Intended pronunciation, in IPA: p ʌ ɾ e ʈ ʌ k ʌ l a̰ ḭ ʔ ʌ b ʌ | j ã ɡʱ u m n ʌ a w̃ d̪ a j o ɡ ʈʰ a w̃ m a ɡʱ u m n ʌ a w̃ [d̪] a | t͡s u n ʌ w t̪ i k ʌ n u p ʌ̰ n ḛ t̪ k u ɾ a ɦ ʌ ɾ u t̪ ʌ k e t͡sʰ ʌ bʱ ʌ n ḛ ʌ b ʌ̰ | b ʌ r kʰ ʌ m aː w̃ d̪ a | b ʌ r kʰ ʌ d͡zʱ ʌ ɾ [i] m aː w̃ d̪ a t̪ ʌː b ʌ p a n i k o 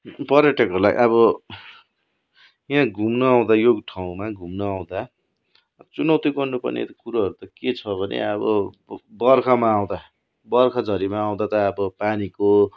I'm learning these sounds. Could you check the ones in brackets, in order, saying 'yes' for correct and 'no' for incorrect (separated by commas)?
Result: yes, yes